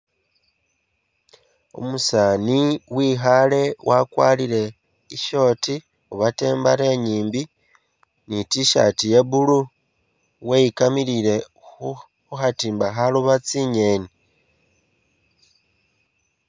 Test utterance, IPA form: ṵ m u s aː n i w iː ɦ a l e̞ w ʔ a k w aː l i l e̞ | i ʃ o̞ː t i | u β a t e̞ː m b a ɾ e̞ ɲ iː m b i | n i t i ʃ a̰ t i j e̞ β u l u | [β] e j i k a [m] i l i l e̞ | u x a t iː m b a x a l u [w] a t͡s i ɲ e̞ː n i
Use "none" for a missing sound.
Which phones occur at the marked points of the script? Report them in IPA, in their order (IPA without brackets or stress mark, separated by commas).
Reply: w, m, β